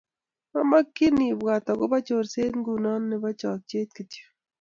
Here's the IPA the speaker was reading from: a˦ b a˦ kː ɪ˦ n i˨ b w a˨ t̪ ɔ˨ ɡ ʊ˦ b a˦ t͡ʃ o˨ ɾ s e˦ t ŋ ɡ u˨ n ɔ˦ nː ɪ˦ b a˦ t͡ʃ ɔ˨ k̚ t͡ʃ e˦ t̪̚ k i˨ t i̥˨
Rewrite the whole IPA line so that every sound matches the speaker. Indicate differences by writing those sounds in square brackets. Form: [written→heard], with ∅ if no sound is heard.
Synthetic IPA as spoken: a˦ [b→m] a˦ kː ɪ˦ n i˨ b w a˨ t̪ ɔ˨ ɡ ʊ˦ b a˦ t͡ʃ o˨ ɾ s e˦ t ŋ ɡ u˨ n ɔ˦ nː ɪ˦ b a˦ t͡ʃ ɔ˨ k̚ t͡ʃ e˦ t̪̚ k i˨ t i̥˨

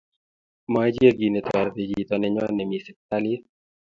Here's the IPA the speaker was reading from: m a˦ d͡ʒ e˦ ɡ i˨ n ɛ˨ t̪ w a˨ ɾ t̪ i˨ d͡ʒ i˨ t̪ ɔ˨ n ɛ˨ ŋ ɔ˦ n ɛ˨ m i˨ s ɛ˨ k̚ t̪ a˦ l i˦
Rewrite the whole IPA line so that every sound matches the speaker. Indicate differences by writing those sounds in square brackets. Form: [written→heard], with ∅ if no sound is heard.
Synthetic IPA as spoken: m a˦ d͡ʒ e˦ ɡ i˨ n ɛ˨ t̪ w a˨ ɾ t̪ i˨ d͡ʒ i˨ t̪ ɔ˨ n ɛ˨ [ŋ→ɲ] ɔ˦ n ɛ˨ m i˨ s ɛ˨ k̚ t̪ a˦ l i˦

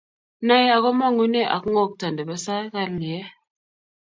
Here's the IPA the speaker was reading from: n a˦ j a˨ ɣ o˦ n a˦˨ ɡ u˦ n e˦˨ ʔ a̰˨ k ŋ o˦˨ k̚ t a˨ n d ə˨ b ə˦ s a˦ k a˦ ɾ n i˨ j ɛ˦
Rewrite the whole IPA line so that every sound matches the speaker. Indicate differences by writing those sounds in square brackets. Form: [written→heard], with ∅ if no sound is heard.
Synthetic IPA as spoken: n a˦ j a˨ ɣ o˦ [n→m] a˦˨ [ɡ→ŋ] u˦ n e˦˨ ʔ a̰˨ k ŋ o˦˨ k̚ t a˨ n d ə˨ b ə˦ s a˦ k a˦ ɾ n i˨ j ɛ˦

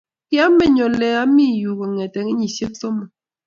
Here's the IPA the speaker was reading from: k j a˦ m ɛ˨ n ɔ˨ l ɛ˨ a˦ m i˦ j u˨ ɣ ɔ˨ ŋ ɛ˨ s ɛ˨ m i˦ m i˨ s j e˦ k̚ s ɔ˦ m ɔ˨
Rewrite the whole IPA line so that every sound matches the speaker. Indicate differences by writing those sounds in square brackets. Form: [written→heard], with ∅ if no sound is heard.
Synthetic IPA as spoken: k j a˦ m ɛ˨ [n→ɲ] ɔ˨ l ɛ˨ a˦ m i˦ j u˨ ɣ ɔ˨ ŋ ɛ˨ [s→t] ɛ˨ [m→ŋ] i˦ [m→ɲ] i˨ s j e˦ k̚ s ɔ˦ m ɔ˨

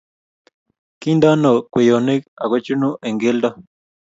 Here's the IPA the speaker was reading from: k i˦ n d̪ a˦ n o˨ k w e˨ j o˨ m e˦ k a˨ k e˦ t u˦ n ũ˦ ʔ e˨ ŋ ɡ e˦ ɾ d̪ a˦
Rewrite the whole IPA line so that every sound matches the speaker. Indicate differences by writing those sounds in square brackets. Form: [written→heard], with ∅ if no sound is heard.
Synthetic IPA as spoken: k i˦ n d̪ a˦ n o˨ k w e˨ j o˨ [m→n] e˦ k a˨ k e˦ [t→t͡ʃ] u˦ n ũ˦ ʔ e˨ ŋ ɡ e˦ [ɾ→l] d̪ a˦

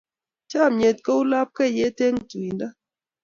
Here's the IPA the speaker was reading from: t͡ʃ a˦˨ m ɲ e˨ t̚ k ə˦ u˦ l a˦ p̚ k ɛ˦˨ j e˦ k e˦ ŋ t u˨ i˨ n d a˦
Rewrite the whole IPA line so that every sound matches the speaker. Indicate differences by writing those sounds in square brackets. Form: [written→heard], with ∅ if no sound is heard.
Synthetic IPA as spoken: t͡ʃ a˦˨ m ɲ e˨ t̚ k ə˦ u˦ l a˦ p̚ k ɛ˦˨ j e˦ [k→t] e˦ ŋ t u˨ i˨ n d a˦

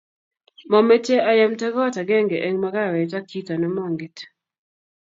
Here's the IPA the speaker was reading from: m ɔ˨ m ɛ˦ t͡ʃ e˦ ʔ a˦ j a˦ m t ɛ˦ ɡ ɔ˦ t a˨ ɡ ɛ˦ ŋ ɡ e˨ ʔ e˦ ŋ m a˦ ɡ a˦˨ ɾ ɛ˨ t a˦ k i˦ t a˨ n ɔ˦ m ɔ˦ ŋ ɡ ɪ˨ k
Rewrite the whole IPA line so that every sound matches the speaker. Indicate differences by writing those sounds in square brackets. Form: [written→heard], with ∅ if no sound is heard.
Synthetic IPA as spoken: m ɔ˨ m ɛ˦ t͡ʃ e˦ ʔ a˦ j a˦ m t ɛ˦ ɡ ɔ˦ t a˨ ɡ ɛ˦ ŋ ɡ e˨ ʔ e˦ ŋ m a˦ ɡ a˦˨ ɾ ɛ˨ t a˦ k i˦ t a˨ n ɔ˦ m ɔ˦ ŋ ɡ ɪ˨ [k→t]

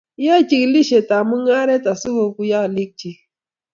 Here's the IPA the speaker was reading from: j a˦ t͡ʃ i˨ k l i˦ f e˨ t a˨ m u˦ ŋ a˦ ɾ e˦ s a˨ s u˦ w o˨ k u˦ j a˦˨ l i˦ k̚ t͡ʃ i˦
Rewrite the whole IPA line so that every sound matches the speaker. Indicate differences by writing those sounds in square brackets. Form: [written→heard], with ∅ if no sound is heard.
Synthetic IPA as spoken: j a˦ t͡ʃ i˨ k l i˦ [f→ʃ] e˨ t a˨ m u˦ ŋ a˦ ɾ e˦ [s→t] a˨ s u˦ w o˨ k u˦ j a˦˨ l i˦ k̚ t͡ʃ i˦

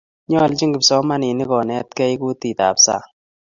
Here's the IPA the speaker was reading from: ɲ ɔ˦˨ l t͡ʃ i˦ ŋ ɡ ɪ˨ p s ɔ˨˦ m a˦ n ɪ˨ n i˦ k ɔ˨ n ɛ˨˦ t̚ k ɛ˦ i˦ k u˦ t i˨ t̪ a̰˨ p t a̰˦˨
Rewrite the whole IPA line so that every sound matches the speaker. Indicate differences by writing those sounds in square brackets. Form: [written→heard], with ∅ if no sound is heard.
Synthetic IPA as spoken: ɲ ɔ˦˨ l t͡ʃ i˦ ŋ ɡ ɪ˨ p s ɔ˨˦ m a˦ n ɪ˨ n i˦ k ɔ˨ n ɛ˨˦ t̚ k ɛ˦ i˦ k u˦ t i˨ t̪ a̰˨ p [t→s] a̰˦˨

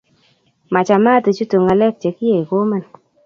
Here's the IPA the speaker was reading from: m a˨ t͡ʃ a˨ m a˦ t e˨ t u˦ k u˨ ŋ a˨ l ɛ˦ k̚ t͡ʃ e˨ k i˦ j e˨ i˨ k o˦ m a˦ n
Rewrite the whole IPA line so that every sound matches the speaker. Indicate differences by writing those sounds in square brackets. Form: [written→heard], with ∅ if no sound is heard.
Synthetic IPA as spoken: m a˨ t͡ʃ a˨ m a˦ t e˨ [t→t͡ʃ] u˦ [k→t] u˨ ŋ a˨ l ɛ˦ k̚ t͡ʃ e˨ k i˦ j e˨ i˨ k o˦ m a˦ n

